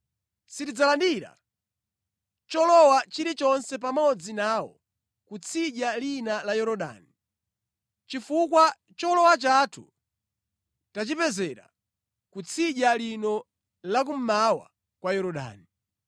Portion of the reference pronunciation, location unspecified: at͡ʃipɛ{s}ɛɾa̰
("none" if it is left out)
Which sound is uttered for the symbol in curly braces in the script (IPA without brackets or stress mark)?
z